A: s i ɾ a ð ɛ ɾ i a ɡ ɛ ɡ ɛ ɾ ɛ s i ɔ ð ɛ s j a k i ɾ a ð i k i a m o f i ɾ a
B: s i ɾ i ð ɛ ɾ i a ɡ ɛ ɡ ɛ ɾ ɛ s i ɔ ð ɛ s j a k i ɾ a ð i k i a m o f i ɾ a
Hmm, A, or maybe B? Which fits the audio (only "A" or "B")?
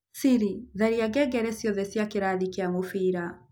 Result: B